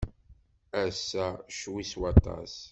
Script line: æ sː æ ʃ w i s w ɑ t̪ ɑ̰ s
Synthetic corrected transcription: æ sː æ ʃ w i s w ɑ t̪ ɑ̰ s